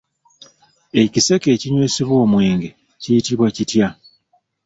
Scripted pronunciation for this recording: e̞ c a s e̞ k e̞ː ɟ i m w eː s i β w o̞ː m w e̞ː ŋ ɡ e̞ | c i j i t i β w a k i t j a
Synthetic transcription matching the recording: e̞ c i s e̞ k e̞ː c i ɲ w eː s i β w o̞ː m w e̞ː ŋ ɡ e̞ | c i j i t i β w a c i t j a